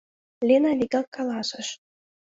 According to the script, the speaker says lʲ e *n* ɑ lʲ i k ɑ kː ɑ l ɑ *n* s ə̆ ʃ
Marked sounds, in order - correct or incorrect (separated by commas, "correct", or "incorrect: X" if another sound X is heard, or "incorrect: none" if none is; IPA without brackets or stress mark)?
correct, incorrect: none